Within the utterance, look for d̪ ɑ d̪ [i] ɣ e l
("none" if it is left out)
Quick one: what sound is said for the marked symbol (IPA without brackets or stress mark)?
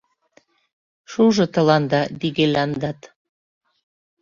i